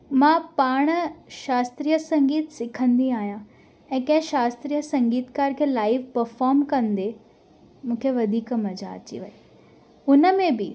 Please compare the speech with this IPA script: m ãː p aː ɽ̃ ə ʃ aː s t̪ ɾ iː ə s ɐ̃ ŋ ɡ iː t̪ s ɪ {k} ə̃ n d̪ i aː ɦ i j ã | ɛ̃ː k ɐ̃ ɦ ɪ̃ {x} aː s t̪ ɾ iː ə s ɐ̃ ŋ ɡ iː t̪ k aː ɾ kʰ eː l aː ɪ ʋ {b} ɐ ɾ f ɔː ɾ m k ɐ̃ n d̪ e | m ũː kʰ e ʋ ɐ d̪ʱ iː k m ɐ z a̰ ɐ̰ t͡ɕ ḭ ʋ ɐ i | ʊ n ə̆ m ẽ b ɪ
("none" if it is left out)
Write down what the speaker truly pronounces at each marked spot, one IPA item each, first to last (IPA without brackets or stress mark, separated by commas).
kʰ, ʃ, p